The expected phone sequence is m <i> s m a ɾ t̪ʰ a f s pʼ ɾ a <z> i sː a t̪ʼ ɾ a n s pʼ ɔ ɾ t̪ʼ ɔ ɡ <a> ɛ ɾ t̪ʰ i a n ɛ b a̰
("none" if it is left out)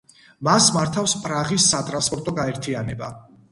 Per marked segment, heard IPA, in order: a, ʁ, a

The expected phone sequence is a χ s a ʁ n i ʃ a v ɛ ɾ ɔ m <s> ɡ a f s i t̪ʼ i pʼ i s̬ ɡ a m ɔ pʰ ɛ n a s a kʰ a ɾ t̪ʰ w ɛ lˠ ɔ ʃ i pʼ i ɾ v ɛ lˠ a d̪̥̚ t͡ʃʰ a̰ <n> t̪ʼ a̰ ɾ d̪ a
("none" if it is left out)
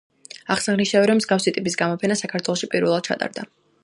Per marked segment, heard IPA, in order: z, none

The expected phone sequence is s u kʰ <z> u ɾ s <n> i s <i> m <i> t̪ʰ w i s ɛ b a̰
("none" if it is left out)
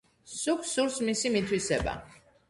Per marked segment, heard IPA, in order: s, m, i, i

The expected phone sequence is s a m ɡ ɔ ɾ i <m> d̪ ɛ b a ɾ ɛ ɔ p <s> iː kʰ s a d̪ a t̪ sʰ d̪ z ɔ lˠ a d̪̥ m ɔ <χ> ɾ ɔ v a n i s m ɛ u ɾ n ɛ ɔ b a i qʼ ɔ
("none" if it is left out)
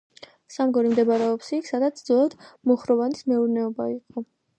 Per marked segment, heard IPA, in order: m, s, χ

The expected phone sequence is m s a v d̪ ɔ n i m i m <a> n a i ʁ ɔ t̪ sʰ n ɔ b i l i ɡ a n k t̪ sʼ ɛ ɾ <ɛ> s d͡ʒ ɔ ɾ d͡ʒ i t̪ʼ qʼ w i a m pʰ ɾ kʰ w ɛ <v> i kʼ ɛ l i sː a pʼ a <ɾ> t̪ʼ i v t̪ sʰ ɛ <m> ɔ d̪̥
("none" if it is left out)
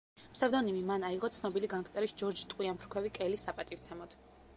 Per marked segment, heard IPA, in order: a, i, v, none, m

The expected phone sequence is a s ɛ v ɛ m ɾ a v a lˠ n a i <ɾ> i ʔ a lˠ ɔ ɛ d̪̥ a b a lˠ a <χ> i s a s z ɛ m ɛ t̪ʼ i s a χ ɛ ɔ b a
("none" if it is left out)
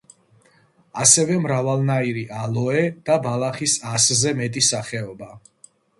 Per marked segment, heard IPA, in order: ɾ, χ

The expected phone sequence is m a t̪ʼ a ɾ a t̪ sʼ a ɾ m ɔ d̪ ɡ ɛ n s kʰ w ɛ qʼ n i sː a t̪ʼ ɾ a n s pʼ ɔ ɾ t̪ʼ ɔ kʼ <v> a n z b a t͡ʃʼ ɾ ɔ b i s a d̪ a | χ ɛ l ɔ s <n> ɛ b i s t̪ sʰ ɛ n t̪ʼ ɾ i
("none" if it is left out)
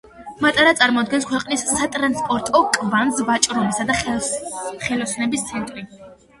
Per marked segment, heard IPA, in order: v, n

